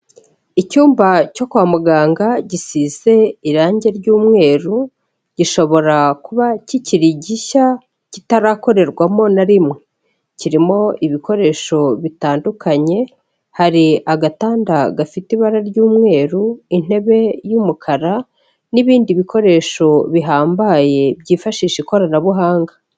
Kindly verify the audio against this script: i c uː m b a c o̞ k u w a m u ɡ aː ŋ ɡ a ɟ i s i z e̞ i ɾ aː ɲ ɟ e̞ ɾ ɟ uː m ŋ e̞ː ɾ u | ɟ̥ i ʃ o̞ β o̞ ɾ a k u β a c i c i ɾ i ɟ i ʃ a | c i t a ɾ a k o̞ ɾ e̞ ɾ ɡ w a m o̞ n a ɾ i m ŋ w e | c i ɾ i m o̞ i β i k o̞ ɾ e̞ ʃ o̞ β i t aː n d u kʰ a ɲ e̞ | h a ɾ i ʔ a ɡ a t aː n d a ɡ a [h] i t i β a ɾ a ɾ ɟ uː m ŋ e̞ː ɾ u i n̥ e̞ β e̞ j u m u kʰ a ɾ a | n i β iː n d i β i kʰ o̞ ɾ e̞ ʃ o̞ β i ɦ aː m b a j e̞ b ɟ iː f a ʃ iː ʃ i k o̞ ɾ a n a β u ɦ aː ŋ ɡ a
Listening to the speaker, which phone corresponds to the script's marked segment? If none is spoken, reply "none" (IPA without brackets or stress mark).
f